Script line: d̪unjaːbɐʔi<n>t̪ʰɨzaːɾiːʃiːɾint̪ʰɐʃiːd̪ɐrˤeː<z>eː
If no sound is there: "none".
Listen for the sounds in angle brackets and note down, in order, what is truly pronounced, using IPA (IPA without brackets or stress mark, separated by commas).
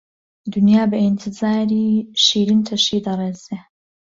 n, z